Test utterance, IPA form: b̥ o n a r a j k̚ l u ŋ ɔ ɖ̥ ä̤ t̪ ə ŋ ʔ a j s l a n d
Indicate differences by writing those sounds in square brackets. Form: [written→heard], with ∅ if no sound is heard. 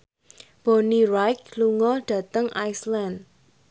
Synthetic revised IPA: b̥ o n [a→i] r a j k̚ l u ŋ ɔ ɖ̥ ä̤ t̪ ə ŋ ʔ a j s l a n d